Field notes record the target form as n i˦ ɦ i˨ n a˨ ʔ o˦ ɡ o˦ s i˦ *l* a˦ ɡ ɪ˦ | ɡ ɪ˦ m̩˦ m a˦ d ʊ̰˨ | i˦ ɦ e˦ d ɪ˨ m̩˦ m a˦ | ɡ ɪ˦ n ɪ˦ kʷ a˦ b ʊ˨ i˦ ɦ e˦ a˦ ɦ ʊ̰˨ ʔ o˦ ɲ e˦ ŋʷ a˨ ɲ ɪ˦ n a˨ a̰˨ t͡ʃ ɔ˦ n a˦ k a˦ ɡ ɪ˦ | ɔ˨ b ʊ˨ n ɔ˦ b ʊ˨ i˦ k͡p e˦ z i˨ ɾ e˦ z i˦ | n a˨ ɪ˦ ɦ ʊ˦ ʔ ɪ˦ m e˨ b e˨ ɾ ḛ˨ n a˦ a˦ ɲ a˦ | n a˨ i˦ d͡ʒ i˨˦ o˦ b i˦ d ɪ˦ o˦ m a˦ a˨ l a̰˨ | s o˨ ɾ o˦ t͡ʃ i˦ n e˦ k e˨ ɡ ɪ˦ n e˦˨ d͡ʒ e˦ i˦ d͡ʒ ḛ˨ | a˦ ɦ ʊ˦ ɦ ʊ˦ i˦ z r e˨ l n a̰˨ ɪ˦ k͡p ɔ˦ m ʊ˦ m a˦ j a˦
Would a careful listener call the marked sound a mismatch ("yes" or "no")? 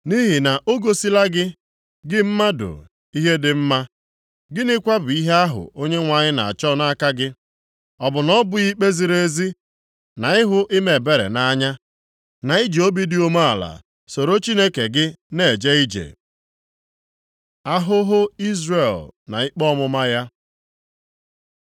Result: no